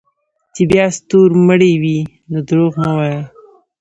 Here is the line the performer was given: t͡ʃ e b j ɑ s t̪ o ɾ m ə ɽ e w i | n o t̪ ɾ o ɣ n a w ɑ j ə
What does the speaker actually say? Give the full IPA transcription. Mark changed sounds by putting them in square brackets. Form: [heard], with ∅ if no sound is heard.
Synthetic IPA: t͡ʃ e b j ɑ s t̪ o ɾ m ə ɽ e w i | n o [d̪] ɾ o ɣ n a w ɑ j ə